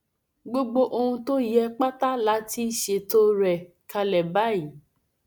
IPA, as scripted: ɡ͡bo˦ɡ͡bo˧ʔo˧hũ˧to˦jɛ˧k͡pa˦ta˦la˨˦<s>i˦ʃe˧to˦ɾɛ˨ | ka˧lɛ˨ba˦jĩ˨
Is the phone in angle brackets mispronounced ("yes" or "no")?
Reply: yes